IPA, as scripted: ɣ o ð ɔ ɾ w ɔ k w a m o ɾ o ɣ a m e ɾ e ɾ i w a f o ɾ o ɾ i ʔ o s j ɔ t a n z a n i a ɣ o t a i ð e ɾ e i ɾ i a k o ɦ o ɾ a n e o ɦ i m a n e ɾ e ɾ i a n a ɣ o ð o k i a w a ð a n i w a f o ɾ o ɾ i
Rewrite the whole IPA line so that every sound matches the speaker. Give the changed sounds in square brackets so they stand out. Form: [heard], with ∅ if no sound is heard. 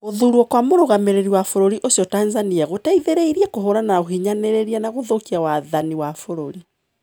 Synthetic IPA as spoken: ɣ o ð [u] ɾ w ɔ k w a m o ɾ o ɣ a m e ɾ e ɾ i w a f o ɾ o ɾ i ʔ o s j ɔ t a n z a n i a ɣ o t a i ð e ɾ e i ɾ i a k o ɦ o ɾ a n [a] o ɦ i [ɲ] a n e ɾ e ɾ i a n a ɣ o ð o k i a w a ð a n i w a f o ɾ o ɾ i